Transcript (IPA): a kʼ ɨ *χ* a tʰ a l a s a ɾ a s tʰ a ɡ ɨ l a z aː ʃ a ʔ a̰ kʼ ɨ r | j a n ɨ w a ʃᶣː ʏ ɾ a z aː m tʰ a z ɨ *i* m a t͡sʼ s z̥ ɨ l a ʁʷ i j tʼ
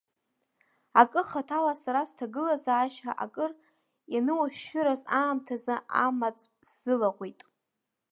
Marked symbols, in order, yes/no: yes, no

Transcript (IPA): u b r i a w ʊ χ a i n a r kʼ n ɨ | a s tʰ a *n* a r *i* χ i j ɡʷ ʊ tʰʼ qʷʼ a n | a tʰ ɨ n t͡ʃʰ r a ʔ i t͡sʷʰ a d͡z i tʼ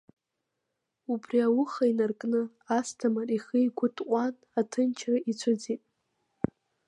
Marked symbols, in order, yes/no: no, yes

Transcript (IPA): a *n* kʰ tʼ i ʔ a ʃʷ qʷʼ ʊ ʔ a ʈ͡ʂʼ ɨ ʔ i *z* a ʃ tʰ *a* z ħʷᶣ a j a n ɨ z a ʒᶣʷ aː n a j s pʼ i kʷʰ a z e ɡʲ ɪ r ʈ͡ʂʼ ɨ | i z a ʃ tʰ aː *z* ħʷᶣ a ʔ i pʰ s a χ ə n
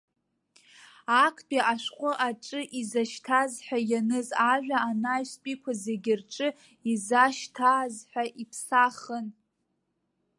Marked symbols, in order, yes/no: no, yes, yes, yes

